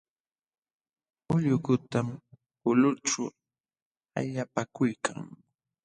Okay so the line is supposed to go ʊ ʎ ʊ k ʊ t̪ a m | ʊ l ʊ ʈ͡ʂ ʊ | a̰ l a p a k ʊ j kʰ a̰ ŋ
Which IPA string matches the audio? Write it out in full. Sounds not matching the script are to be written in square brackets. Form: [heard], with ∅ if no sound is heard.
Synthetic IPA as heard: ʊ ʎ ʊ k ʊ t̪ a m | ʊ l ʊ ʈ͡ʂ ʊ | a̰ [ʎ] a p a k ʊ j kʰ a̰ ŋ